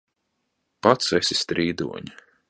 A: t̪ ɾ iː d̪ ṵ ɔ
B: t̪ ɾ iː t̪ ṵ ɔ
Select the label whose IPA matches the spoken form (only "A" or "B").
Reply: A